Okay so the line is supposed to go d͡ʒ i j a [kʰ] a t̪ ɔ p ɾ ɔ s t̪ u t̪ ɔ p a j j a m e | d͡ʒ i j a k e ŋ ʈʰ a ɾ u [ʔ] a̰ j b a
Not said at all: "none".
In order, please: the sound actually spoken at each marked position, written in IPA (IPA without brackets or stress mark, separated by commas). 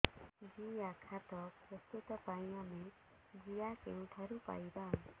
kʰ, p